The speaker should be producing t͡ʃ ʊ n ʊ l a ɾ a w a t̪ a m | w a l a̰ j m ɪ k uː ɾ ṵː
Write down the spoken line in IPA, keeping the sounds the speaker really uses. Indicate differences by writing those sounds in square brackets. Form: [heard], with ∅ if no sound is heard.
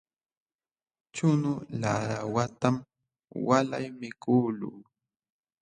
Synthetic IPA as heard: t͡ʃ ʊ n ʊ l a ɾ a w a t̪ a m | w a l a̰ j m ɪ k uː [l] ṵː

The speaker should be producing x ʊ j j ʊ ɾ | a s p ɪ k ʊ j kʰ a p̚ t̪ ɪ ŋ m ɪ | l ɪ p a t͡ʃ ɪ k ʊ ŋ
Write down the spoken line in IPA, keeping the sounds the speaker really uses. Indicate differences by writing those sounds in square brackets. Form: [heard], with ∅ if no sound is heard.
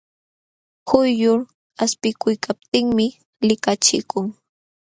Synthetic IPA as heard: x ʊ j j ʊ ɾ | a s p ɪ k ʊ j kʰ a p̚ t̪ ɪ ŋ m ɪ | l ɪ [k] a t͡ʃ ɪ k ʊ ŋ

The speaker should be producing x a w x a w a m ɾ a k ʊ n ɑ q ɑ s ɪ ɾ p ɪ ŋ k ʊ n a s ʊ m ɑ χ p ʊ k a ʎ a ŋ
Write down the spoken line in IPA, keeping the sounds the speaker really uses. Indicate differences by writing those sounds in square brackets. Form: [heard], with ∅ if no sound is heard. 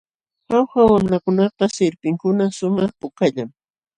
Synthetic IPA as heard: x a w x a w a m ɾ a k ʊ n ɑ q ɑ s ɪ ɾ p ɪ ŋ k ʊ n a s ʊ m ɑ χ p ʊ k a ʎ a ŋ

